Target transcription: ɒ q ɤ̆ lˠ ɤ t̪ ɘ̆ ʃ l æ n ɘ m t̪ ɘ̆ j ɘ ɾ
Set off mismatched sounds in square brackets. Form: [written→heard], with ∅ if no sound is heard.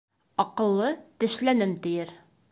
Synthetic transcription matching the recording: ɒ q ɤ̆ [lˠ→lˠː] ɤ t̪ ɘ̆ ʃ l æ n ɘ m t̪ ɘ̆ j ɘ ɾ